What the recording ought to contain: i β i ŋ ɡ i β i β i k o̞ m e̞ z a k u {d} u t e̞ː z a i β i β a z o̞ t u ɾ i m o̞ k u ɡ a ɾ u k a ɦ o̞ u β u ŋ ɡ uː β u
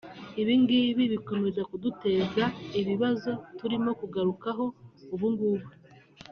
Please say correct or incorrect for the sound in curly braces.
correct